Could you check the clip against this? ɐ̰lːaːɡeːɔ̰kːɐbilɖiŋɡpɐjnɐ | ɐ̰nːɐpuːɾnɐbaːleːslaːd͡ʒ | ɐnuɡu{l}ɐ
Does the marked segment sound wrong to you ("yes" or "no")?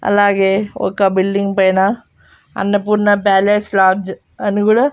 yes